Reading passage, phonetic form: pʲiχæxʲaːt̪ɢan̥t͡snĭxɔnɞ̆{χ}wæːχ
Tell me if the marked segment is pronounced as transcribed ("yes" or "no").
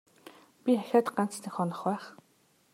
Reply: yes